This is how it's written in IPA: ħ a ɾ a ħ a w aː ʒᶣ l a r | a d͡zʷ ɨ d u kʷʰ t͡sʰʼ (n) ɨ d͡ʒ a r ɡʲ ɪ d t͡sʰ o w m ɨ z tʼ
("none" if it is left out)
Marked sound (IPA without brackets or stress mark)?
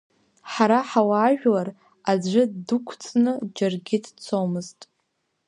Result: n